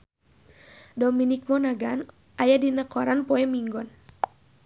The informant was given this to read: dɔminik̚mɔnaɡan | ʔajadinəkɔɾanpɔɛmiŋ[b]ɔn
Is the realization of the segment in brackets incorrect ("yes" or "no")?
yes